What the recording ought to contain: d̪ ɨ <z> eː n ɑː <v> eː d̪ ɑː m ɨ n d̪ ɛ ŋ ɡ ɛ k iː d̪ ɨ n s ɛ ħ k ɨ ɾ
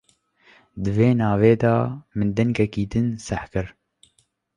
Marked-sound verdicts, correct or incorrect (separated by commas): incorrect, correct